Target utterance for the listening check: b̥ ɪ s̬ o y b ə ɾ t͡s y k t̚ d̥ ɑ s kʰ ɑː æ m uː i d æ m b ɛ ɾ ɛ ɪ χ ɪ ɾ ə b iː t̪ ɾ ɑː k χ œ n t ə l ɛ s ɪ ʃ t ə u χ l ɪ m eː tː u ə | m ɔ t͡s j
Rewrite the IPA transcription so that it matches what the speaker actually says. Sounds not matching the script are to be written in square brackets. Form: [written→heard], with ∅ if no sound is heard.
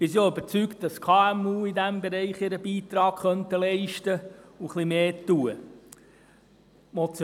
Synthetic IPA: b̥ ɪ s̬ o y b ə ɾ t͡s y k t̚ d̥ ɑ s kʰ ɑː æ m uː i d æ m b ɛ ɾ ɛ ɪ χ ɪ ɾ ə b iː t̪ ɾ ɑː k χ œ n t ə l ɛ [s→∅] ɪ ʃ t ə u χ l [ɪ→i] m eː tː u ə | m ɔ t͡s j